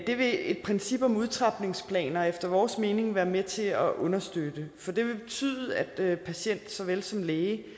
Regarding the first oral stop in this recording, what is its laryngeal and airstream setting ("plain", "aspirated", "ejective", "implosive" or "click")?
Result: plain